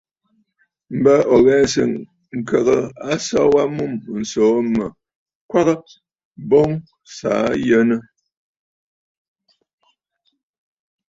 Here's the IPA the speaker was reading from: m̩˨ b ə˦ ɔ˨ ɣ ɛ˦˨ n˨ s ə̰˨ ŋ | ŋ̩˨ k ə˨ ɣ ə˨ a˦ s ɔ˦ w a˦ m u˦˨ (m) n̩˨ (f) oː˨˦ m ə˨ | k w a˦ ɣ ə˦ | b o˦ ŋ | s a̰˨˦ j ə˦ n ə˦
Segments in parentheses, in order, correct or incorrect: correct, incorrect

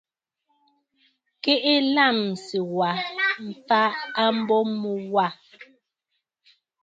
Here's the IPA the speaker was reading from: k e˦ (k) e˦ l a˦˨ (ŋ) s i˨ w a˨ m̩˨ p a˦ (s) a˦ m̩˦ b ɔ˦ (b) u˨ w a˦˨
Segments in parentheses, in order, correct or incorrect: incorrect, incorrect, incorrect, incorrect

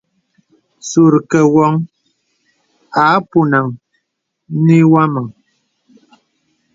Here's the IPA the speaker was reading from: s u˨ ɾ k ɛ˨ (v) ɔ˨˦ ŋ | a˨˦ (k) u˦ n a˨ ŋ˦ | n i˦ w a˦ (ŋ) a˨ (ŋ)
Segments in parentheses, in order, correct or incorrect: incorrect, incorrect, incorrect, correct

